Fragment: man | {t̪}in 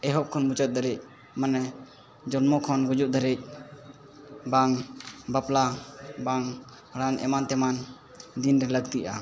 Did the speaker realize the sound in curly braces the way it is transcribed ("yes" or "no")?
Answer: no